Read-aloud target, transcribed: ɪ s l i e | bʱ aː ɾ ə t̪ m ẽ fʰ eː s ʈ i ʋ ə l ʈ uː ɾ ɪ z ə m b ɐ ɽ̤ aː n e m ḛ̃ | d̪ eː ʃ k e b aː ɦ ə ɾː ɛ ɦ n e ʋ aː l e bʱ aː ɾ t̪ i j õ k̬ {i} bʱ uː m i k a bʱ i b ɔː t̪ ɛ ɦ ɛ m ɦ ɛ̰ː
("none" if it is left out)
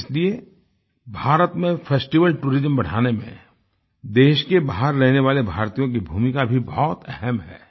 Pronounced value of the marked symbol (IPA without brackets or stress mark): i